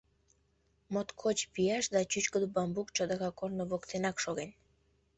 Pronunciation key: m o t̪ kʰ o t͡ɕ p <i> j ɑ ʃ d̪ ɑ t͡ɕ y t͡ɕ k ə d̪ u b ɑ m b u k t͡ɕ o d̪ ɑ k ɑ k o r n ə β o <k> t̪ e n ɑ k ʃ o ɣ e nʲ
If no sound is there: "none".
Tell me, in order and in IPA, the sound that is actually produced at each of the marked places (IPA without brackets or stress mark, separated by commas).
i, k